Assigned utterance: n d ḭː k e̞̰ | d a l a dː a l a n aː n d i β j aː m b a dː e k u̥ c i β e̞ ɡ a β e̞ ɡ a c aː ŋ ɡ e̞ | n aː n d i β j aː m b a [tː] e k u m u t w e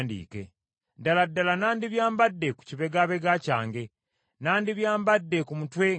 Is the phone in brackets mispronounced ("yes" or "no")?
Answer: yes